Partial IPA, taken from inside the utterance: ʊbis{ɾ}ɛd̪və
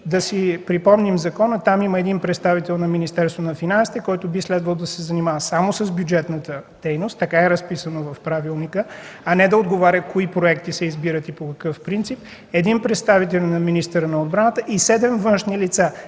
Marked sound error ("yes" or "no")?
yes